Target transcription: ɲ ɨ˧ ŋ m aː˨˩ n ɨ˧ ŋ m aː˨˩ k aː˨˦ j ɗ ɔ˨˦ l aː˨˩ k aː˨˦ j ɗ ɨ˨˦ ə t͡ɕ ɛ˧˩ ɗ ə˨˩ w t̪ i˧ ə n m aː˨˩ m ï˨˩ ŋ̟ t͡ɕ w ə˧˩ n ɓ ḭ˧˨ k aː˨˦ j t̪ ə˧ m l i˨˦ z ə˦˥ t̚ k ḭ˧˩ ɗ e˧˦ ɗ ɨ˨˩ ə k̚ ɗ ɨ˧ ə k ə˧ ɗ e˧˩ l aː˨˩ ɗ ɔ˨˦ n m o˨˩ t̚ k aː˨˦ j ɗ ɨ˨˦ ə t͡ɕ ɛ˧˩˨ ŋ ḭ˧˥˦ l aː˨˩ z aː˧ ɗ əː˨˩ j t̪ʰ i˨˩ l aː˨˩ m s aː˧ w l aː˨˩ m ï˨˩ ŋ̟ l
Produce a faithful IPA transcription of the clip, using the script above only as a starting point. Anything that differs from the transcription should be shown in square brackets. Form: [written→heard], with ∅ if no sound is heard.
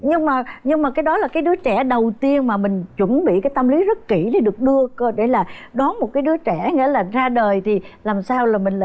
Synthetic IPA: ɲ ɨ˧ ŋ m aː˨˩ [n→ɲ] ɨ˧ ŋ m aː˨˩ k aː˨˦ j ɗ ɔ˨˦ l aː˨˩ k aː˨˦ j ɗ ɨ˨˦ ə t͡ɕ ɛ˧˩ ɗ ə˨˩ w t̪ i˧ ə n m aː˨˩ m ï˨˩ ŋ̟ t͡ɕ w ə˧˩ n ɓ ḭ˧˨ k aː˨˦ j t̪ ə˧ m l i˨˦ z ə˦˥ t̚ k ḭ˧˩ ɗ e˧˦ ɗ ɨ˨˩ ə k̚ ɗ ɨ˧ ə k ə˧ ɗ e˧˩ l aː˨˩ ɗ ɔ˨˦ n m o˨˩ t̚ k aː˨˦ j ɗ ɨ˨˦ ə t͡ɕ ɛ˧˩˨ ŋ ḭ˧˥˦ l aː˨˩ z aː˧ ɗ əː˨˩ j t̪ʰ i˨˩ l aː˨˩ m s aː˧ w l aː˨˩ m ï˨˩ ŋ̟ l